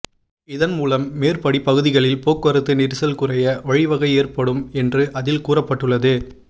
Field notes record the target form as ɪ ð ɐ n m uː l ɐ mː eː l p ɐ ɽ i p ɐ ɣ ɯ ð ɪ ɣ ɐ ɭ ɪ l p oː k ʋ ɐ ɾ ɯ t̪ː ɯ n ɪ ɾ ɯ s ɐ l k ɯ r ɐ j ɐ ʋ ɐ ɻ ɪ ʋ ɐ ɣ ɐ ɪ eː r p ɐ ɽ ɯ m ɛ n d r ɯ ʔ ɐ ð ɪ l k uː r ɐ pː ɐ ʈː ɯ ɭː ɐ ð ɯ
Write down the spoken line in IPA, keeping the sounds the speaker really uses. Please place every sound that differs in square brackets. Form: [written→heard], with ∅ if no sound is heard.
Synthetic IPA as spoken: ɪ ð ɐ n m uː l ɐ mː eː [l→r] p ɐ ɽ i p ɐ ɣ ɯ ð ɪ ɣ ɐ ɭ ɪ l p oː k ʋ ɐ ɾ ɯ t̪ː ɯ n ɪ ɾ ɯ s ɐ l k ɯ r ɐ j ɐ ʋ ɐ ɻ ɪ ʋ ɐ ɣ ɐ ɪ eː r p ɐ ɽ ɯ m ɛ n d r ɯ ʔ ɐ ð ɪ l k uː r ɐ pː ɐ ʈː ɯ ɭː ɐ ð ɯ